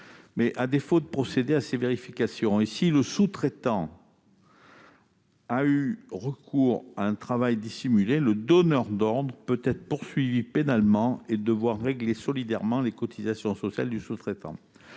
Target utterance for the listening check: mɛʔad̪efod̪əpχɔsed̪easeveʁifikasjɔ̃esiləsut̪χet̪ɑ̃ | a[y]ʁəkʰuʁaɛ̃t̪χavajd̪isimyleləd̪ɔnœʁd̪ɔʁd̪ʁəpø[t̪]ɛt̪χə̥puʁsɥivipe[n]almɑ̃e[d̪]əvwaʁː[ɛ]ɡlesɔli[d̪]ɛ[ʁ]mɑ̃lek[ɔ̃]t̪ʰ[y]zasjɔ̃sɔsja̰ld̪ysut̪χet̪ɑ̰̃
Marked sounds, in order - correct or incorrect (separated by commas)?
correct, correct, correct, correct, incorrect, correct, correct, incorrect, incorrect